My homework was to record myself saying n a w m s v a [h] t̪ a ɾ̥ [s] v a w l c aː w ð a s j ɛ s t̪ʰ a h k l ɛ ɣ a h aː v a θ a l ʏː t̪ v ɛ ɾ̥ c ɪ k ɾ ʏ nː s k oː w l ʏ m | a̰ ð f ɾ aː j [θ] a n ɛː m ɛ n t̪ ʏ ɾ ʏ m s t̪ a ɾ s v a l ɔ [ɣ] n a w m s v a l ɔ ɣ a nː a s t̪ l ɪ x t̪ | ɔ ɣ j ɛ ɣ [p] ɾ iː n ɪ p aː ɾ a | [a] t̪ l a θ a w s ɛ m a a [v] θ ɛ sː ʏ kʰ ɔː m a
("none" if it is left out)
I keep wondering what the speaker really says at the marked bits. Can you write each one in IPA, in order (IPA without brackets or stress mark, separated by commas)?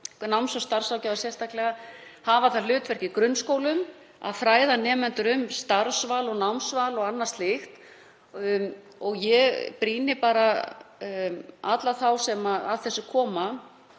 s, s, ð, ɣ, p, a, ð